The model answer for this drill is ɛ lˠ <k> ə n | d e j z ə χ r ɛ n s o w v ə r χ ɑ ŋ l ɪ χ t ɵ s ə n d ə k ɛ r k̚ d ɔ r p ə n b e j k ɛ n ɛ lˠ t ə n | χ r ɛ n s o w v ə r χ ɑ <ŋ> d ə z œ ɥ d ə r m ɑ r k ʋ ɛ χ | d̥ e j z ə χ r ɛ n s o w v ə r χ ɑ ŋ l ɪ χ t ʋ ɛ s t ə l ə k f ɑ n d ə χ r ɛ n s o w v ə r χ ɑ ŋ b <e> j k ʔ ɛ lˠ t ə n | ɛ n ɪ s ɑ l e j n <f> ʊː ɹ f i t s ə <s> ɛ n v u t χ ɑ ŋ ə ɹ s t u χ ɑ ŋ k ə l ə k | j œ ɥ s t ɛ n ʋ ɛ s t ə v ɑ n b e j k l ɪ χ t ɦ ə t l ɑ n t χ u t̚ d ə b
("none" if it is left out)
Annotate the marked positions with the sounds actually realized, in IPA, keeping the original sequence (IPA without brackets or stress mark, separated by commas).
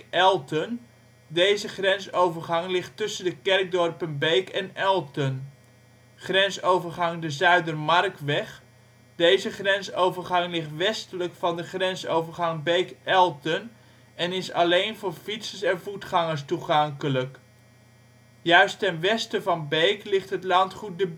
t, ŋ, e, v, s